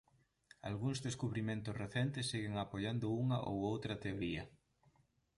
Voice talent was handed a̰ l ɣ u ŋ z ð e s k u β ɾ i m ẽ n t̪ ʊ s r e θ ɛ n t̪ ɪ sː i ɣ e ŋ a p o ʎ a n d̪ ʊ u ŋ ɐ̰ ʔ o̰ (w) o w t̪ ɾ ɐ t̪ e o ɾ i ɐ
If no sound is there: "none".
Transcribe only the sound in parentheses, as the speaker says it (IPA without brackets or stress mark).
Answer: w